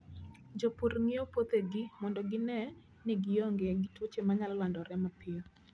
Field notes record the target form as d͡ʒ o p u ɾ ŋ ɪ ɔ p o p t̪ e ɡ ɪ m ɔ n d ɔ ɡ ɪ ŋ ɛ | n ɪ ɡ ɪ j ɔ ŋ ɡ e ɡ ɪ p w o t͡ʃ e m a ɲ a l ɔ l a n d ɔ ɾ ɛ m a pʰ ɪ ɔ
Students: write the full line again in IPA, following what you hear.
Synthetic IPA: d͡ʒ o p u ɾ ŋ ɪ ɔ p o t̪ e ɡ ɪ m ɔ n d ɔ ɡ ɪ n ɛ | n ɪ ɡ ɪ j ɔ ŋ ɡ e ɡ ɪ t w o t͡ʃ e m a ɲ a l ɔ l a n d ɔ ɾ ɛ m a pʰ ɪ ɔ